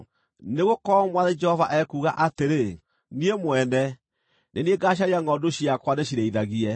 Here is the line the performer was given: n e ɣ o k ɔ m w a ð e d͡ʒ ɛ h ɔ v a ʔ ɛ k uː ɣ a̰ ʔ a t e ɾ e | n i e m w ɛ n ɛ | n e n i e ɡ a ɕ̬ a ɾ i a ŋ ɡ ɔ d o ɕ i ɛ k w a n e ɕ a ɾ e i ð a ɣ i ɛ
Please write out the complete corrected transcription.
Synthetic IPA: n e ɣ o k ɔ m w a ð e d͡ʒ ɛ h ɔ v a ʔ ɛ k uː ɣ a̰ ʔ a t e ɾ e | n i e m w ɛ n ɛ | n e n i e ɡ a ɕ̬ a ɾ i a ŋ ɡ ɔ d o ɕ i a k w a n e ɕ i ɾ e i ð a ɣ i ɛ